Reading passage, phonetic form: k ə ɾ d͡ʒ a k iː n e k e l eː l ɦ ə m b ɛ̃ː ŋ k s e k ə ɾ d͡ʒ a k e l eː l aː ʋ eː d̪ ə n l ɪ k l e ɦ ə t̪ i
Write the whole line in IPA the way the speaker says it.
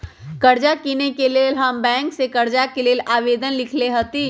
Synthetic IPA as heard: k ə ɾ d͡ʒ a k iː n e k e l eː l ɦ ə m b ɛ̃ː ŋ k s e k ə ɾ d͡ʒ a k e l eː l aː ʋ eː d̪ ə n l ɪ kʰ l e ɦ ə t̪ i